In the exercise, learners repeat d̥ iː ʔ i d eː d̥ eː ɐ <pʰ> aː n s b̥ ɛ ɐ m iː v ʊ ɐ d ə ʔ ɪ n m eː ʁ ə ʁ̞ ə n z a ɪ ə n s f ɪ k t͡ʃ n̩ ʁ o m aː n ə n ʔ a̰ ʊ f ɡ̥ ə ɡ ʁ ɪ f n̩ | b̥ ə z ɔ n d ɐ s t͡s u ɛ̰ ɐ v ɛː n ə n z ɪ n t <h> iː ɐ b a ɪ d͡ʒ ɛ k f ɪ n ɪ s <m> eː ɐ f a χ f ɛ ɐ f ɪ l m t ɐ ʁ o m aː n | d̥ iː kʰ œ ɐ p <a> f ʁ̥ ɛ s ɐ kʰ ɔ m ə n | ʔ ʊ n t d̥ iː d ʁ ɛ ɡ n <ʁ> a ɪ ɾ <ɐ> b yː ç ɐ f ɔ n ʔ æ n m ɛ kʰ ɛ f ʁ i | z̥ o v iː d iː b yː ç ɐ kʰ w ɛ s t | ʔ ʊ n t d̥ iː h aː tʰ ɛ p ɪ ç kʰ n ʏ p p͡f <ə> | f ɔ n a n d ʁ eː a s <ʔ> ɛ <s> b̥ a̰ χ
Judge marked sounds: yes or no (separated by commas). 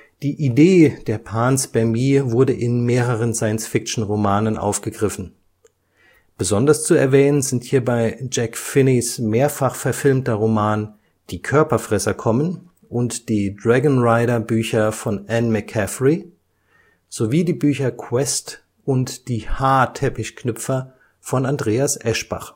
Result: yes, yes, yes, no, yes, yes, no, yes, no